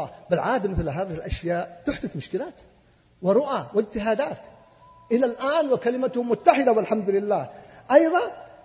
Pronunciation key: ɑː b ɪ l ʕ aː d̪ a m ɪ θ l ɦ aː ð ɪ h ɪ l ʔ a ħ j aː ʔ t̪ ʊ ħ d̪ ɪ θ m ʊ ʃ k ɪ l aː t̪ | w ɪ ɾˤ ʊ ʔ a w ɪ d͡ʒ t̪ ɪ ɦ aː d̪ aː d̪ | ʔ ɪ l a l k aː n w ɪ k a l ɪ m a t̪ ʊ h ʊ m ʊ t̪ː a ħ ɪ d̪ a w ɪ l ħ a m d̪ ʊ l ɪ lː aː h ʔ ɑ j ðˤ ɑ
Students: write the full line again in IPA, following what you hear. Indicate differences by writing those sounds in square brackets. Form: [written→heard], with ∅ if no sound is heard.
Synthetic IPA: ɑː b ɪ l ʕ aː d̪ a m ɪ θ l ɦ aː ð ɪ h ɪ l ʔ a [ħ→ʃ] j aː ʔ t̪ ʊ ħ d̪ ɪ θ m ʊ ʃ k ɪ l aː t̪ | w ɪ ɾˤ ʊ ʔ a w ɪ d͡ʒ t̪ ɪ ɦ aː d̪ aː [d̪→t̪] | ʔ ɪ l a l [k→ʔ] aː n w ɪ k a l ɪ m a t̪ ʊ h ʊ m ʊ t̪ː a ħ ɪ d̪ a w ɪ l ħ a m d̪ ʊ l ɪ lː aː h ʔ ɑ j ðˤ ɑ